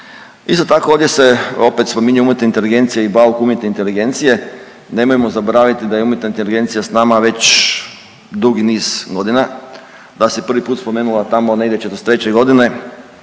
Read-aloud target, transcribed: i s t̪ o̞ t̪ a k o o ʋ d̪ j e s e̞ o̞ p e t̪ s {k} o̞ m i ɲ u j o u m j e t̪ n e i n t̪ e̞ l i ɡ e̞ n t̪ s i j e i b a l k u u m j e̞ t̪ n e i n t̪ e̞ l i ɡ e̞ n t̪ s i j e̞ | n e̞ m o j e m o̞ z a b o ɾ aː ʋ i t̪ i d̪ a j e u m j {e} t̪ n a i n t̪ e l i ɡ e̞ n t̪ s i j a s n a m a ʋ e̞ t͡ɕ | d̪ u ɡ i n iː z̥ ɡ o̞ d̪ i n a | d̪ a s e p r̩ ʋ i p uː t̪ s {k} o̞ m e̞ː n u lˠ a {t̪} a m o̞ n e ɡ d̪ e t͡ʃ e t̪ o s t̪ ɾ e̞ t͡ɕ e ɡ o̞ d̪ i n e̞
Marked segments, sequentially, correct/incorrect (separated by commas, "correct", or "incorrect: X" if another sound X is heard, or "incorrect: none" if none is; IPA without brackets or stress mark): incorrect: p, correct, incorrect: p, correct